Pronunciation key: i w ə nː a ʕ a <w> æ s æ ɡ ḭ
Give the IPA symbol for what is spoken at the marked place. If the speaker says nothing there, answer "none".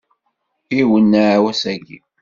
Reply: w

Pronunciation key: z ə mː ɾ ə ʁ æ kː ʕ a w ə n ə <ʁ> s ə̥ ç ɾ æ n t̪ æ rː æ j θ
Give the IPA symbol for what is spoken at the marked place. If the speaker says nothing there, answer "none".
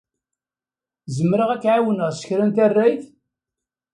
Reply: ʁ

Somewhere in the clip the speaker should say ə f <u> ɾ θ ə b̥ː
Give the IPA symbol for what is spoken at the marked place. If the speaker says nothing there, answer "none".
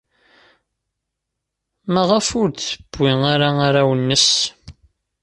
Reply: ʊ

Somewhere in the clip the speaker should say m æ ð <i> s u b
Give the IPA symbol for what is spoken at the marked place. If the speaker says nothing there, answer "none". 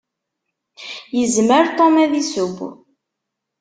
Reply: i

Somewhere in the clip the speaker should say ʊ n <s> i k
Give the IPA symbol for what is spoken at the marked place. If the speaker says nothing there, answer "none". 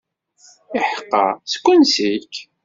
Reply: s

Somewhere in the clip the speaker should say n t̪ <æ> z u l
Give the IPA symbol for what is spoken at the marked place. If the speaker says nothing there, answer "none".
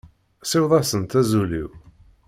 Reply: æ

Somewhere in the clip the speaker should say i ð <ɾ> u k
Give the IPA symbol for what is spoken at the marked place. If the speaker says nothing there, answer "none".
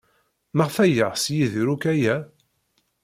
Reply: ɾ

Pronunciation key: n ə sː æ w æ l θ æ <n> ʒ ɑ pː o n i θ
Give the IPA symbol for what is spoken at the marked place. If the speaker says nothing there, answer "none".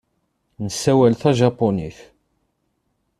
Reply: none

